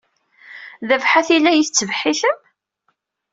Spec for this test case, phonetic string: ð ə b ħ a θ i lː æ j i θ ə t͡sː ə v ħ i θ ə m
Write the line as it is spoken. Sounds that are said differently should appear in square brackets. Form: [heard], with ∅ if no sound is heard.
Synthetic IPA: ð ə [v] ħ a θ i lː æ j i θ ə t͡sː ə v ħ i θ ə m